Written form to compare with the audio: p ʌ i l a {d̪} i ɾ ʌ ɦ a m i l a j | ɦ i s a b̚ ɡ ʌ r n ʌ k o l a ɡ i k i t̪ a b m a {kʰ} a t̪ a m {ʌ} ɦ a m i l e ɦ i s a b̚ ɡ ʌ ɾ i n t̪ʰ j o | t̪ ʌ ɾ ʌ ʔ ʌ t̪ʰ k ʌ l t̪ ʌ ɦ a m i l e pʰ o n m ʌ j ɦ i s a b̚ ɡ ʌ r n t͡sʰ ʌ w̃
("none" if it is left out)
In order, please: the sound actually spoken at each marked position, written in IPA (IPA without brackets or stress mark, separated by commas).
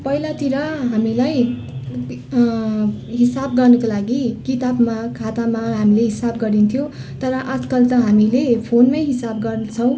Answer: t̪, kʰ, a